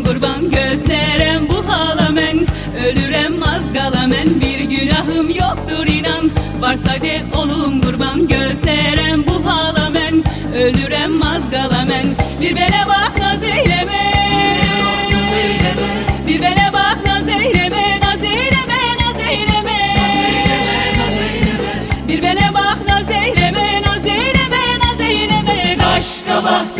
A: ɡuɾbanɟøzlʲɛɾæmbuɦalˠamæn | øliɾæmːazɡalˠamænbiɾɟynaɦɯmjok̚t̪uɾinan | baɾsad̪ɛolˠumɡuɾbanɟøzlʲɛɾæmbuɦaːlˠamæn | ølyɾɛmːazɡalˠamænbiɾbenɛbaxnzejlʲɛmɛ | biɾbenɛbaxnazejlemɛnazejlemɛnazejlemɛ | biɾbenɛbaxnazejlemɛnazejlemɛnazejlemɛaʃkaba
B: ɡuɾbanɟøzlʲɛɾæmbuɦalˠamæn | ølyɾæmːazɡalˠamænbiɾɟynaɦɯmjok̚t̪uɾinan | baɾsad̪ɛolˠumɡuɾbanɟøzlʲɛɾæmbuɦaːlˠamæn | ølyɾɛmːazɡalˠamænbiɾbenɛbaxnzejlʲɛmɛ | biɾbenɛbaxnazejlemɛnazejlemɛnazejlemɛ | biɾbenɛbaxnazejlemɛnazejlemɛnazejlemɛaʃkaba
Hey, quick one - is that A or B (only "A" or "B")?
B